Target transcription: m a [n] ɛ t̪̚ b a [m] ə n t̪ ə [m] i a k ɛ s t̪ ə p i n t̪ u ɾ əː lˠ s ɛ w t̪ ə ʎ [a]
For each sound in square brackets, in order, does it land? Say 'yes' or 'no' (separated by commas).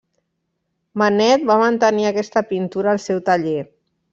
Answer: yes, yes, no, no